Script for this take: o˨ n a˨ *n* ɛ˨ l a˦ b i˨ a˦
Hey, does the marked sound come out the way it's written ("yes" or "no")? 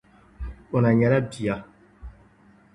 no